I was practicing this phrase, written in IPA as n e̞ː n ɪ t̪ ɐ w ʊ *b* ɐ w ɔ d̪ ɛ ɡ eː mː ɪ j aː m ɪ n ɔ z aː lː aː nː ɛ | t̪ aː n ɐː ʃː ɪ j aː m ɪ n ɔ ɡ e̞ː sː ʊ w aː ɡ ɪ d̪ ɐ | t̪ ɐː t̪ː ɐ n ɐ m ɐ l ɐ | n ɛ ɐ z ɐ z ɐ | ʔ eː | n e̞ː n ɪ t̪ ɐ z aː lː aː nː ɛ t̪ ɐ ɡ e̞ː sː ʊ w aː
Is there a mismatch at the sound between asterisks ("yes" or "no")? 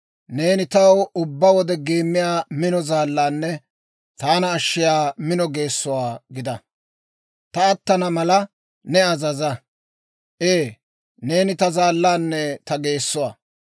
yes